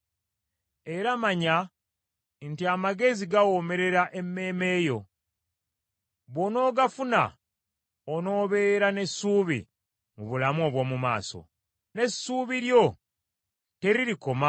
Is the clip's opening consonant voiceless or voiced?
voiced